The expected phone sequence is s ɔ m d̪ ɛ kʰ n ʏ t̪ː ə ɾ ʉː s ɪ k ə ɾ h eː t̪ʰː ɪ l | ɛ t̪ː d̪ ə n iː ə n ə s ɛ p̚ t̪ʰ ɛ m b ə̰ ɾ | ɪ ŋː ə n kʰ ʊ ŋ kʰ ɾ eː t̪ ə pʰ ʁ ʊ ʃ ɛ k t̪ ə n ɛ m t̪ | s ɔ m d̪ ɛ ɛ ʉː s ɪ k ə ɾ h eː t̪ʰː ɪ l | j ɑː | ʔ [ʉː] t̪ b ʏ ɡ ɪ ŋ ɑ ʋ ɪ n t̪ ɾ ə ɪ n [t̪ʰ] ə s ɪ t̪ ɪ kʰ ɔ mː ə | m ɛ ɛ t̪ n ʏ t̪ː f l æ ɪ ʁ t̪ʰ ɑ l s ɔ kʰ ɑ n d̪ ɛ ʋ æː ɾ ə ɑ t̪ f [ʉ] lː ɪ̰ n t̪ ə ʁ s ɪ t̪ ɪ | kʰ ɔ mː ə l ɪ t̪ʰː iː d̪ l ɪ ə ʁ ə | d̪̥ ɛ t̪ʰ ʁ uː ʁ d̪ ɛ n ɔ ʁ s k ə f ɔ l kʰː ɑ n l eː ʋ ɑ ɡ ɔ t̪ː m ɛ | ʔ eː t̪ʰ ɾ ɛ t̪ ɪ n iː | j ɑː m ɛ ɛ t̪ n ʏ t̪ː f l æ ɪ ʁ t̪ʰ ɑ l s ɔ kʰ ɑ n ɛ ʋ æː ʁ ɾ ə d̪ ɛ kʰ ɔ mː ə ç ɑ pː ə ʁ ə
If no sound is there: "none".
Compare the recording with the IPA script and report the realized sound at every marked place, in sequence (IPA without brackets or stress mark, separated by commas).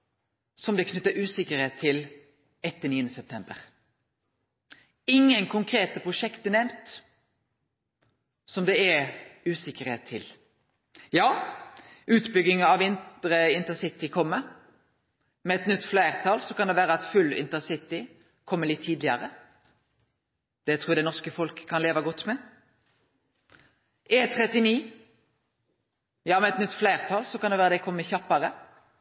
ʉː, t̪, ʉ